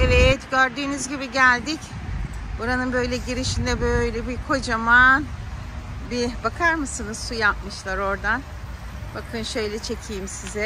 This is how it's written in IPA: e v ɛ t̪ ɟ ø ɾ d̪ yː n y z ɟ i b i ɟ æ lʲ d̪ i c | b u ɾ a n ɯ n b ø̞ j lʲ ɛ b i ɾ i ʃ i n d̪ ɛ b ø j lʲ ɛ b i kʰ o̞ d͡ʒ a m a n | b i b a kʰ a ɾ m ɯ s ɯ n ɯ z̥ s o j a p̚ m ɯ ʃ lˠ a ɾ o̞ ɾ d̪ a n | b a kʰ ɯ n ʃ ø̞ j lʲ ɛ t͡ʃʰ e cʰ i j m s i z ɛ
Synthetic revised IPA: e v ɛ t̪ ɟ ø ɾ d̪ yː n y z ɟ i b i ɟ æ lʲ d̪ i c | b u ɾ a n ɯ n b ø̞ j lʲ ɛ ɟ i ɾ i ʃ i n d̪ ɛ b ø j lʲ ɛ b i kʰ o̞ d͡ʒ a m a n | b i b a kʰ a ɾ m ɯ s ɯ n ɯ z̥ s u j a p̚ m ɯ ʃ lˠ a ɾ o̞ ɾ d̪ a n | b a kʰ ɯ n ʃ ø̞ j lʲ ɛ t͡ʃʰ e cʰ i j m s i z ɛ

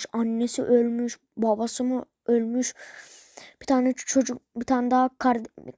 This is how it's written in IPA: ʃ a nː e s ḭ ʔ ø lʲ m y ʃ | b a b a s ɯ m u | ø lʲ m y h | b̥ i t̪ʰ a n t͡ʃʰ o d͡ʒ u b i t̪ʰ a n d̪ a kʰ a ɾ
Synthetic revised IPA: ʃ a nː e s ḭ ʔ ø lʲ m y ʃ | b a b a s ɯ m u | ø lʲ m y ʃ | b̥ i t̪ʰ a n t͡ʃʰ o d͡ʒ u b i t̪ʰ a n d̪ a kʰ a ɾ

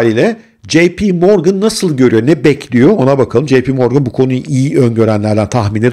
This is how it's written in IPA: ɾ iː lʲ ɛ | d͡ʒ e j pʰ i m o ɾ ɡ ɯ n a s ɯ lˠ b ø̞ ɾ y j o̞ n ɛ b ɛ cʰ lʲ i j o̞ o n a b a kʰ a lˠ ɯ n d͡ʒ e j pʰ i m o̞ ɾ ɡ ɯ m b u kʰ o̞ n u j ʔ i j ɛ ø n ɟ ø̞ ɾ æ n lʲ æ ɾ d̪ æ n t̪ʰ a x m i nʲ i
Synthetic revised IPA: ɾ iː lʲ ɛ | d͡ʒ e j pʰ i m o ɾ ɡ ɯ nː a s ɯ lˠ ɟ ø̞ ɾ y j o̞ n ɛ b ɛ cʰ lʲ i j o̞ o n a b a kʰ a lˠ ɯ m d͡ʒ e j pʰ i m o̞ ɾ ɡ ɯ n b u kʰ o̞ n u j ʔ i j i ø n ɟ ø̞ ɾ æ n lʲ æ ɾ d̪ æ n t̪ʰ a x m i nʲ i

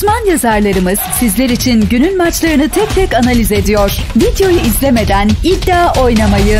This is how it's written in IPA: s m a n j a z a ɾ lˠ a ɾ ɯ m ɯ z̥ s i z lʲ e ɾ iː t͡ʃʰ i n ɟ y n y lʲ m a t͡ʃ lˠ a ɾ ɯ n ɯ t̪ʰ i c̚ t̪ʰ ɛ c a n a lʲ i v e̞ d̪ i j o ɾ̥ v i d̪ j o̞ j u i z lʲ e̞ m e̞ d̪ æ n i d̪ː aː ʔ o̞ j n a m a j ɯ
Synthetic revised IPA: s m a n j a z a ɾ lˠ a ɾ ɯ m ɯ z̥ s i z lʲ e ɾ i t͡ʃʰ i n ɟ y n y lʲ m a t͡ʃ lˠ a ɾ ɯ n ɯ t̪ʰ ɛ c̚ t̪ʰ ɛ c a n a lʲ i z e̞ d̪ i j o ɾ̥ v i d̪ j o̞ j u i z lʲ e̞ m e̞ d̪ æ n i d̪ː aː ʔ o̞ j n a m a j ɯ

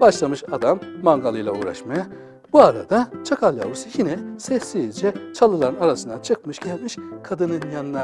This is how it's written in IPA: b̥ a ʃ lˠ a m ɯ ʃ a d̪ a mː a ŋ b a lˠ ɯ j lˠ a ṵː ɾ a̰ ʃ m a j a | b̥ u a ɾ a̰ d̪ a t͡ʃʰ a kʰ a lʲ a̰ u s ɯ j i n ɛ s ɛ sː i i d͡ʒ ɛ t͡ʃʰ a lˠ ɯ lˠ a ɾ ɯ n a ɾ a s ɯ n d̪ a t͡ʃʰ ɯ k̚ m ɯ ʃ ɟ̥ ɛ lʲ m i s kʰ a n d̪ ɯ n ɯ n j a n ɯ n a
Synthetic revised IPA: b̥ a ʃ lˠ a m ɯ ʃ a d̪ a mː a ŋ ɡ a lˠ ɯ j lˠ a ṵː ɾ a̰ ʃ m a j a | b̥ u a ɾ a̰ d̪ a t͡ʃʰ a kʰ a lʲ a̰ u s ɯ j i n ɛ s ɛ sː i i d͡ʒ ɛ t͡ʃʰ a lˠ ɯ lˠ a ɾ ɯ n a ɾ a s ɯ n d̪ a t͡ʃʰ ɯ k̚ m ɯ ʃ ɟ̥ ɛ lʲ m i ʃ kʰ a d̪ ɯ n ɯ n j a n ɯ n a

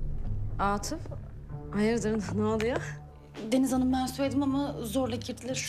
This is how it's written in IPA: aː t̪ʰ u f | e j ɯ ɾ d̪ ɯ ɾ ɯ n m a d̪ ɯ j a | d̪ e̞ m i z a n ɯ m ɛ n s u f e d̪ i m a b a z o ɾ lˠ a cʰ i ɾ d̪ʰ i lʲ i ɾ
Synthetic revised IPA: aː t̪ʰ ɯ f | a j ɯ ɾ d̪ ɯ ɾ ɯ n n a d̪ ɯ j a | d̪ e̞ n i z a n ɯ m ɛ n s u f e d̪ i m a m a z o ɾ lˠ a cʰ i ɾ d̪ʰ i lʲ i ɾ

